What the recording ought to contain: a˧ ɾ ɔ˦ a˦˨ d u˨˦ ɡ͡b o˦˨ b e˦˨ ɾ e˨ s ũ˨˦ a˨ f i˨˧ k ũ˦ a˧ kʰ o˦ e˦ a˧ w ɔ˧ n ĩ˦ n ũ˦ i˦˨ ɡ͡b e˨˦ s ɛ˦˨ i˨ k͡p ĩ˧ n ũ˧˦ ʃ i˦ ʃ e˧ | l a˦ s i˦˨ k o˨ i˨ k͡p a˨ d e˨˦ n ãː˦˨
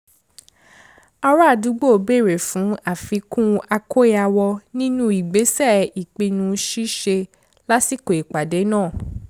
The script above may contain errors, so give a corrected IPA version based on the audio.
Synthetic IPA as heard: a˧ ɾ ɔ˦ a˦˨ d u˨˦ ɡ͡b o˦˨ b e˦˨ ɾ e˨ f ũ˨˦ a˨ f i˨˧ k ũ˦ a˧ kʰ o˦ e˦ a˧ w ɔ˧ n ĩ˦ n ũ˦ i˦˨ ɡ͡b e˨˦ s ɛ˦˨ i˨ k͡p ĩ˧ n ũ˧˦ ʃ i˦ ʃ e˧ | l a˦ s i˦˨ k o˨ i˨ k͡p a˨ d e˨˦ n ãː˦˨